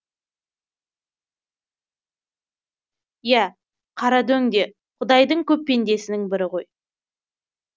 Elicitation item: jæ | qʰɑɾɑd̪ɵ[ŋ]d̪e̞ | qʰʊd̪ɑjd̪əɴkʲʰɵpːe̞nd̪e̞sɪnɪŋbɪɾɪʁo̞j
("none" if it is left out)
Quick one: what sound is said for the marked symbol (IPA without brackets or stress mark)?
ŋ